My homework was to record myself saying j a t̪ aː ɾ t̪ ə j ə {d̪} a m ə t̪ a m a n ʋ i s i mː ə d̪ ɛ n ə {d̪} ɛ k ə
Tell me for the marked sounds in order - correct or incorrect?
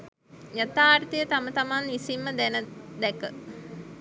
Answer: incorrect: t̪, correct

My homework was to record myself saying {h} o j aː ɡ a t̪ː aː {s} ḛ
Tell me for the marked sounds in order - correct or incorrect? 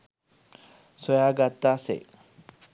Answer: incorrect: s, correct

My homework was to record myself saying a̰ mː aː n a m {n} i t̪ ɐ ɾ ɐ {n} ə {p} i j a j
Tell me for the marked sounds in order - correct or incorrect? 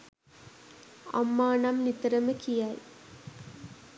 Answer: correct, incorrect: m, incorrect: k

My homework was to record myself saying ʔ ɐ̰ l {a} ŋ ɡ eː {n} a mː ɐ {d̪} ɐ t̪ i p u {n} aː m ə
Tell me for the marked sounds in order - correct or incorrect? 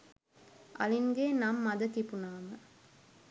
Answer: incorrect: i, correct, correct, correct

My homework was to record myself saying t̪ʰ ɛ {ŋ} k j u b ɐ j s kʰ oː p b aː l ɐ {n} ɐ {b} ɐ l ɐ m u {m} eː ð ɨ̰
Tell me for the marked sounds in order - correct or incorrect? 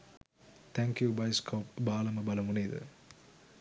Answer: correct, incorrect: m, correct, incorrect: n

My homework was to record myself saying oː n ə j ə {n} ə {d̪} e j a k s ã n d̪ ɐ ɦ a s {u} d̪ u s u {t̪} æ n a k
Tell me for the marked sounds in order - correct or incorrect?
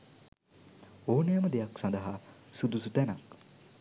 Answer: incorrect: m, correct, correct, correct

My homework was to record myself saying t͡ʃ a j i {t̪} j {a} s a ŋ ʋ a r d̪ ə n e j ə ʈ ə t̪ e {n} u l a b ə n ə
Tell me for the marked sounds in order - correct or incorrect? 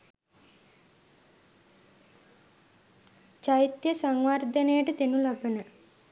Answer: correct, incorrect: ə, correct

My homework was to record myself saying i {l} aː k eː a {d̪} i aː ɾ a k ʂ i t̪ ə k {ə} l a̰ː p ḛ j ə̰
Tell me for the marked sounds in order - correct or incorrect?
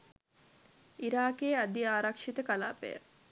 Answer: incorrect: ɾ, correct, incorrect: a

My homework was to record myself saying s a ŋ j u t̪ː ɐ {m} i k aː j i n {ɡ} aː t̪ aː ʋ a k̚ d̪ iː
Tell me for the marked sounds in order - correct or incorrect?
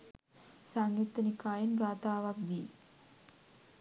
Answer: incorrect: n, correct

